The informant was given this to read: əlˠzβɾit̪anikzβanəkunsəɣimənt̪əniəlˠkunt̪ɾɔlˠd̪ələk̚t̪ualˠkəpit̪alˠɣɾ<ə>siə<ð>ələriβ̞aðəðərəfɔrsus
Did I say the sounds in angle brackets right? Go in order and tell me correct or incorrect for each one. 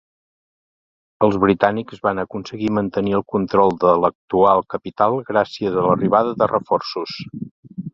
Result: incorrect: a, incorrect: z

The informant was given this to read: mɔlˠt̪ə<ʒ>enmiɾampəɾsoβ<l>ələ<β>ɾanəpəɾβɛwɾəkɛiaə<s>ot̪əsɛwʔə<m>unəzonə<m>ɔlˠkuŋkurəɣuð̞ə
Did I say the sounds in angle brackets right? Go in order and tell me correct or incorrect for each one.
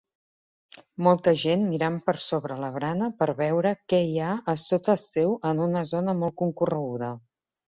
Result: correct, incorrect: ɾ, correct, correct, incorrect: n, correct

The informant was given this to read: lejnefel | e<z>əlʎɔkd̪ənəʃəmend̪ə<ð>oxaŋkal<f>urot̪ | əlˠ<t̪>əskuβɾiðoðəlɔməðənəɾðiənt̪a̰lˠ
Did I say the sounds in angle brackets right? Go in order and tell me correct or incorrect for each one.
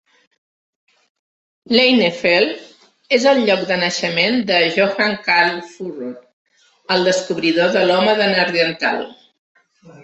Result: correct, incorrect: ʒ, correct, incorrect: d̪

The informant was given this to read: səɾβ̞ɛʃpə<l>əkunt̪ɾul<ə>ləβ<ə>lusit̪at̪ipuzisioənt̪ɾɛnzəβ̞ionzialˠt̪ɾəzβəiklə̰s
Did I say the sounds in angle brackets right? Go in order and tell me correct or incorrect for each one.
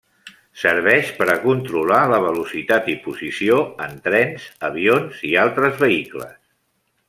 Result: incorrect: ɾ, incorrect: a, correct

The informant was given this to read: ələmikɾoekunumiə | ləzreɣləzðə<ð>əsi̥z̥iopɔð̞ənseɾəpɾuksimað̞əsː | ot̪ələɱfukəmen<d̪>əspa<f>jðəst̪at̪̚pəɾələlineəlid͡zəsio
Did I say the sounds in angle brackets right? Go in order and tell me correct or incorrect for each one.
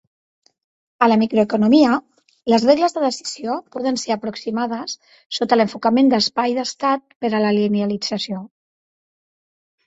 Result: correct, correct, incorrect: none

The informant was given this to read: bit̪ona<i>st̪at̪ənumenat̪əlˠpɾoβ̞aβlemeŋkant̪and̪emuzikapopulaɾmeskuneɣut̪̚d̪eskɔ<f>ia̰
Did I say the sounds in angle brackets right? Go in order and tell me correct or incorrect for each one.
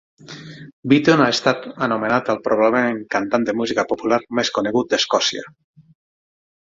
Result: incorrect: e, incorrect: s

